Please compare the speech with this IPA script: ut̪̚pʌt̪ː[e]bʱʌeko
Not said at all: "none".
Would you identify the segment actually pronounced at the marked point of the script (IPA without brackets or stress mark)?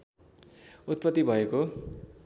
i